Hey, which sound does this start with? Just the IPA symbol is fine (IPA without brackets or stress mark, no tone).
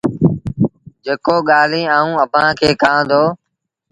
d͡ʒ